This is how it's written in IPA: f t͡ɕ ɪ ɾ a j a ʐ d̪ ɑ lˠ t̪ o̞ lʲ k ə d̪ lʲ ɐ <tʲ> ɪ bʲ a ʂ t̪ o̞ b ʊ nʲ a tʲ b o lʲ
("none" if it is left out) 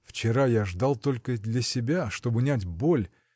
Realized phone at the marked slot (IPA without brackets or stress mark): sʲ